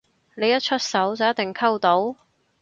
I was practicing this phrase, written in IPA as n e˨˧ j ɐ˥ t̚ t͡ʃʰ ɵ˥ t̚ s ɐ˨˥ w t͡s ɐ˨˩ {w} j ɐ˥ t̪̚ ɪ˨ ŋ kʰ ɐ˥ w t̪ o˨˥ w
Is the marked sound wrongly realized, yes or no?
no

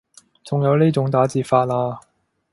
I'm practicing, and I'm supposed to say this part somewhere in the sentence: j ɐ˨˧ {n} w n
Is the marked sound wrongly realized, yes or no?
yes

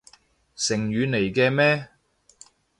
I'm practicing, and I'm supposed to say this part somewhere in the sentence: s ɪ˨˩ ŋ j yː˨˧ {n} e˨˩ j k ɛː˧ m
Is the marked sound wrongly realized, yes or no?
no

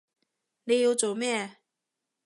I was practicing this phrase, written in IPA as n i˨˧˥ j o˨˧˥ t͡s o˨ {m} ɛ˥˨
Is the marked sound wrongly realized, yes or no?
no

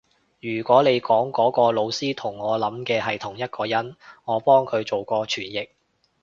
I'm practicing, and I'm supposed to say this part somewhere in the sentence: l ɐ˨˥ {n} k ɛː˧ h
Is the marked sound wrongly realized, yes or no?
yes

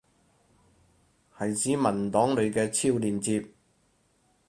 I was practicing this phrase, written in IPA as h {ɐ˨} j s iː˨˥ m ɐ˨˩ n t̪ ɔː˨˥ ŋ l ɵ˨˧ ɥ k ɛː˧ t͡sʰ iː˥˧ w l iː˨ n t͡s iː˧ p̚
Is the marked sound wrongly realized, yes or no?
no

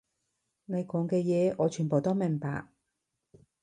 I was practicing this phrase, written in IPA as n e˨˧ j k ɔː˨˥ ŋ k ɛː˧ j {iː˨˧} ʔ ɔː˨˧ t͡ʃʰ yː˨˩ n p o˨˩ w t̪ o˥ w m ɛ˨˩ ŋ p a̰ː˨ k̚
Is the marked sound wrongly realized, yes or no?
yes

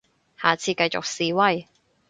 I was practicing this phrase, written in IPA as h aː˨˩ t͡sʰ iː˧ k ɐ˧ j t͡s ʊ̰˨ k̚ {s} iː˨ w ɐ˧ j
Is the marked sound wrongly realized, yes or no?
no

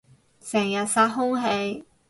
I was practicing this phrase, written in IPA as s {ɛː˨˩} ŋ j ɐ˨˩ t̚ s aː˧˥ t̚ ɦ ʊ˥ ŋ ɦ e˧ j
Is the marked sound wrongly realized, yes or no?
no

